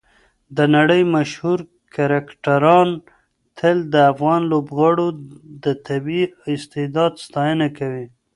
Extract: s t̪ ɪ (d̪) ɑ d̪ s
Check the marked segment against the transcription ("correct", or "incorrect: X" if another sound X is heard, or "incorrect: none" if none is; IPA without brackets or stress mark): correct